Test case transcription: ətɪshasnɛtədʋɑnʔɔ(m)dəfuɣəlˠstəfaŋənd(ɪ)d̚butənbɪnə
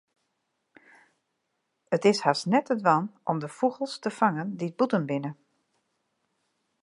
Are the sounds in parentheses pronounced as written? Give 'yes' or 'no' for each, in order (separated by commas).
yes, no